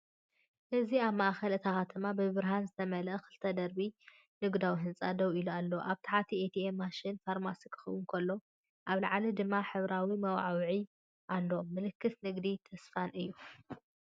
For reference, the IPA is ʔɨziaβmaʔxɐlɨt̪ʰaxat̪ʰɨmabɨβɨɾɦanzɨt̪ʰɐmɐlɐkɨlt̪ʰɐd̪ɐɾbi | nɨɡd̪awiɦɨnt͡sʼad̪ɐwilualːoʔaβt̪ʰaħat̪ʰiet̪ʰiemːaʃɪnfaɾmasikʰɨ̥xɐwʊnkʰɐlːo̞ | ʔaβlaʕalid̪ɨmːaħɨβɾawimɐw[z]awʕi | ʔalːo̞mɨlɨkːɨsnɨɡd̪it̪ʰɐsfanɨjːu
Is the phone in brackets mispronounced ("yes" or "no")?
yes